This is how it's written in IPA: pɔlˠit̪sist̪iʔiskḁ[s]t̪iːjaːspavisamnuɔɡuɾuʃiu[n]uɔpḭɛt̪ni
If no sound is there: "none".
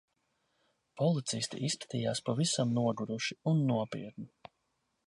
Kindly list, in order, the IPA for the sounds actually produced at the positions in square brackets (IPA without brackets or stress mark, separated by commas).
none, nː